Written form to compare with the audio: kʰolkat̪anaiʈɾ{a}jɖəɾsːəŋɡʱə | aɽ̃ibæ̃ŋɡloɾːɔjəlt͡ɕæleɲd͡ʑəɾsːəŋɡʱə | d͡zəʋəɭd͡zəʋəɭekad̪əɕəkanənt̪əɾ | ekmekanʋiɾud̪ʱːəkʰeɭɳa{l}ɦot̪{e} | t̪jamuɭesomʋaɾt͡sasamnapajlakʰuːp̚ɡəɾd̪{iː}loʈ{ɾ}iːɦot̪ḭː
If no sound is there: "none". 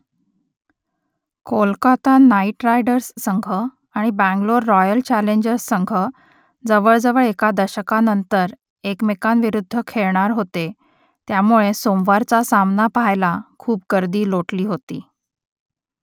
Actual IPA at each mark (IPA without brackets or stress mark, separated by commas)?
a, ɾ, e, iː, l